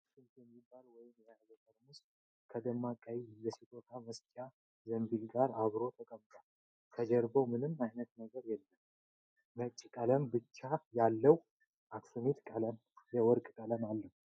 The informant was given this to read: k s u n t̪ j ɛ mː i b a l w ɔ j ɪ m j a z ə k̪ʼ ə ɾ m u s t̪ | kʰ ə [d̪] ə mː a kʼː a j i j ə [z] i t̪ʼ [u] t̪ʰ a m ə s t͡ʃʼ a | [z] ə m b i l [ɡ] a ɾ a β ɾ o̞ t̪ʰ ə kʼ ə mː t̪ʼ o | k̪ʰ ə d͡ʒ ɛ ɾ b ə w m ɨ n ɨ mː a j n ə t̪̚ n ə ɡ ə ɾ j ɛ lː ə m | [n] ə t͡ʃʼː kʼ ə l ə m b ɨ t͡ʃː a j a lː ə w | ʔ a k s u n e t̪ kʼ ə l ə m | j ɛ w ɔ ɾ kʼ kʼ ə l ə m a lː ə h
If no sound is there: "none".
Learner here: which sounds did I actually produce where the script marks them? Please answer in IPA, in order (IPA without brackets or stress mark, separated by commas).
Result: d̪, s, o, z, ɡ, m